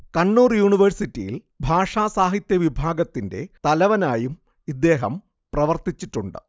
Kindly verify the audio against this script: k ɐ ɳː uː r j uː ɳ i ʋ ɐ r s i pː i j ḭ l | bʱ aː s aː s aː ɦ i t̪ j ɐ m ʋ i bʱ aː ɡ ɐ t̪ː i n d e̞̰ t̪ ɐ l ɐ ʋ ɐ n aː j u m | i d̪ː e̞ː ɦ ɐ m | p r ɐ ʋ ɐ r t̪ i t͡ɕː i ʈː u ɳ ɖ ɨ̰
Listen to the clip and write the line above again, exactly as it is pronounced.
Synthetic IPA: k ɐ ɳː uː r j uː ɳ i ʋ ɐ r s i tː i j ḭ l | bʱ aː ʂ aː s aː ɦ i t̪ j ɐ ʋ i bʱ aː ɡ ɐ t̪ː i n d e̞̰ t̪ ɐ l ɐ ʋ ɐ n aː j u m | i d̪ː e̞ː ɦ ɐ m | p r ɐ ʋ ɐ r t̪ i t͡ɕː i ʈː u ɳ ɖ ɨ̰